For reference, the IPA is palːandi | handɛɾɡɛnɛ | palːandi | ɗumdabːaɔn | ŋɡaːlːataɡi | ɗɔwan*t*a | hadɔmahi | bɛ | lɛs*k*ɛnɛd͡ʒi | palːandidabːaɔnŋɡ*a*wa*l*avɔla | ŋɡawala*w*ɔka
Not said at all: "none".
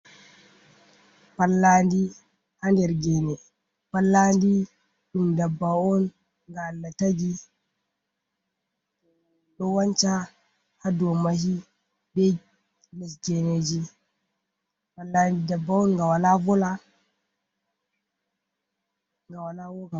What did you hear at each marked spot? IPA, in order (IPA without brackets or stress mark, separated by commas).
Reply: t͡ʃ, ɡ, a, l, w